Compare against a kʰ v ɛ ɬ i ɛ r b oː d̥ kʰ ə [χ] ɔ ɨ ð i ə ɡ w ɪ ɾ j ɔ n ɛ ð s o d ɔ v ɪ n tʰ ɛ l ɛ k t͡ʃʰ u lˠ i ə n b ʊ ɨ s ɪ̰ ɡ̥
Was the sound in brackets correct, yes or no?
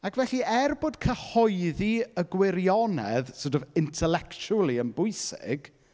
no